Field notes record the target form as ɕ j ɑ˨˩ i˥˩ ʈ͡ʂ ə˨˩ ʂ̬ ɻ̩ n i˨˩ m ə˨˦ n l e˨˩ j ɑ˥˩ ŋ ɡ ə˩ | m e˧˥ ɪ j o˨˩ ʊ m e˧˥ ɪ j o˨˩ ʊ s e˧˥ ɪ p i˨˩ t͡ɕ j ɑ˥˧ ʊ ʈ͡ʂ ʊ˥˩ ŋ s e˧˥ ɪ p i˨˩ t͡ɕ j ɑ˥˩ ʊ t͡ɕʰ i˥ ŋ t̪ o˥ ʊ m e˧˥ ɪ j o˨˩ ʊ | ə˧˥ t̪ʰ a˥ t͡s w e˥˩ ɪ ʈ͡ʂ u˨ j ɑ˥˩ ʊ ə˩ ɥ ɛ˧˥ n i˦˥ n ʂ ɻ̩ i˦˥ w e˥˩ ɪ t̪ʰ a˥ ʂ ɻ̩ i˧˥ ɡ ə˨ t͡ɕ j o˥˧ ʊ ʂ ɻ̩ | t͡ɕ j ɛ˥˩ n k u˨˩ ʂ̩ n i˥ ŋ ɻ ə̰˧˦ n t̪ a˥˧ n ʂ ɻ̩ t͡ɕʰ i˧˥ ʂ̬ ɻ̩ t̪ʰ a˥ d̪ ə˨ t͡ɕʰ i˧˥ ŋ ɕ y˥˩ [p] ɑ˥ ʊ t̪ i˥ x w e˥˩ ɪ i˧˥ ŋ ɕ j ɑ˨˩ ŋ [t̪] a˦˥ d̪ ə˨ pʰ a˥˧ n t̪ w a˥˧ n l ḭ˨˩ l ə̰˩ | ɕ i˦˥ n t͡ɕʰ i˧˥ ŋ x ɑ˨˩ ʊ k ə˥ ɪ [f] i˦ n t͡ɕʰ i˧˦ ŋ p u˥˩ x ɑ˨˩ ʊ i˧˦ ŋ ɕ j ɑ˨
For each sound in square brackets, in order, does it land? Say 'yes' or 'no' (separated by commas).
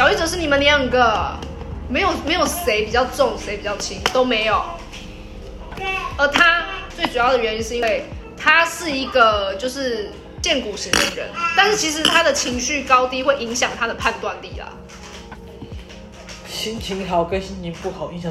no, no, no